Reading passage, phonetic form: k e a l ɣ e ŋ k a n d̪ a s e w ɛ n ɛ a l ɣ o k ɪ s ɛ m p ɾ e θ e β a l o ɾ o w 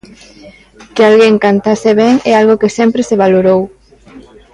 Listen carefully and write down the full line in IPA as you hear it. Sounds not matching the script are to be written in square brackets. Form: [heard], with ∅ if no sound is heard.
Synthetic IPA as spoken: k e a l ɣ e ŋ k a n [t̪] a s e [β] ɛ [ŋ] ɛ a l ɣ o k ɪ s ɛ m p ɾ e [s] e β a l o ɾ o w